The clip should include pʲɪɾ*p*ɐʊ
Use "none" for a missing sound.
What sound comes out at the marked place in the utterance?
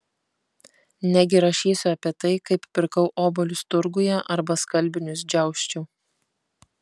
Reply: k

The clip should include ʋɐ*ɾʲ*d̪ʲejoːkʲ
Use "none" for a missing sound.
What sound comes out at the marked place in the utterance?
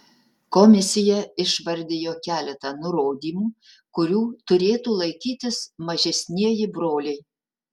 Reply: ɾʲ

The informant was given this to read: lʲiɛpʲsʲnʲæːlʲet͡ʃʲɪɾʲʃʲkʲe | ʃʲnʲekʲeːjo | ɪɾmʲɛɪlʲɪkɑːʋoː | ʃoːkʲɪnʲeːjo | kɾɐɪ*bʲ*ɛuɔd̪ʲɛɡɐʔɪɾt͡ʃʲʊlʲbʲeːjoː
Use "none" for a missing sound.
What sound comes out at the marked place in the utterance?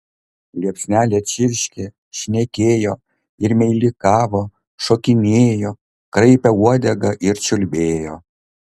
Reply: pʲ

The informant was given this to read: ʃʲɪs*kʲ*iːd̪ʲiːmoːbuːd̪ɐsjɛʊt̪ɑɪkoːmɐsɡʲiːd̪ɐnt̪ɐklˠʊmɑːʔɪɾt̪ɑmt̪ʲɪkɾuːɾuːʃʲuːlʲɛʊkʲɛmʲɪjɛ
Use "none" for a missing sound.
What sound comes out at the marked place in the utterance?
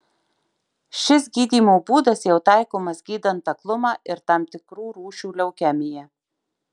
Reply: ɡʲ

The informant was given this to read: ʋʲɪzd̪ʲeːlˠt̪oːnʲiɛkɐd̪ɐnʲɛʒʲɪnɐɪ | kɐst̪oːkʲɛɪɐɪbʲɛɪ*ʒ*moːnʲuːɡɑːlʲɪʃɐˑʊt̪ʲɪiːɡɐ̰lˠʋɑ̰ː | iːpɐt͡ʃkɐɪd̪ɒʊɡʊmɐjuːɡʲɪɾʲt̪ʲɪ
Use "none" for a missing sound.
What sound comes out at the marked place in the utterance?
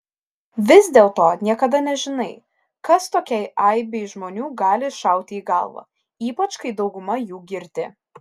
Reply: ʒ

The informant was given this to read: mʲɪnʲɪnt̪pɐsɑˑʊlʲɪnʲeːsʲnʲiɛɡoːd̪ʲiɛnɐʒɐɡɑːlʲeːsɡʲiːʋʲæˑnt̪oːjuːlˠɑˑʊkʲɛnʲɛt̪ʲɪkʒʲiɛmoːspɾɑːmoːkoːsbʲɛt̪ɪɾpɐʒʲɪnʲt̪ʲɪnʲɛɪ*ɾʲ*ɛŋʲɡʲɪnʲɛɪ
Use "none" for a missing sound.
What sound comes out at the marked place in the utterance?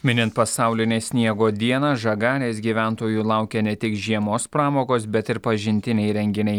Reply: ɾʲ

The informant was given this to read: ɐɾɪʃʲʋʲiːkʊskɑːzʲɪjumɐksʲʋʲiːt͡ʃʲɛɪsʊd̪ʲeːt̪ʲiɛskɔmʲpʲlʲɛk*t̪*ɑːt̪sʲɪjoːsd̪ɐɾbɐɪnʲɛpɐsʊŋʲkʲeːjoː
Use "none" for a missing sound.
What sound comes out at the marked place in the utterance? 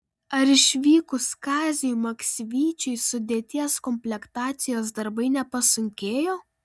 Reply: t̪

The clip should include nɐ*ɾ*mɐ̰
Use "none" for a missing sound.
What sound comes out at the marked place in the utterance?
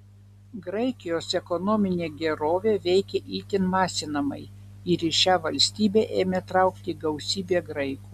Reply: none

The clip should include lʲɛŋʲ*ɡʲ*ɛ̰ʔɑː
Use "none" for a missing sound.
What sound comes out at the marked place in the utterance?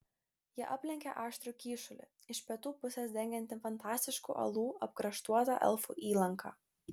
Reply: kʲ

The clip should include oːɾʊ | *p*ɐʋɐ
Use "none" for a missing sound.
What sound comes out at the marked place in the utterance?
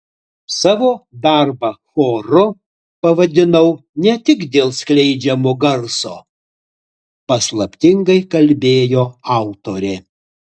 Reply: p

